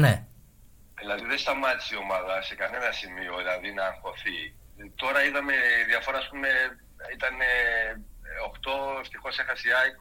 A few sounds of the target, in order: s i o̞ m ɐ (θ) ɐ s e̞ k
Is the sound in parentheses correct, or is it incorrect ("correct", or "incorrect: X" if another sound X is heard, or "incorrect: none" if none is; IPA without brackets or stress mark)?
incorrect: ð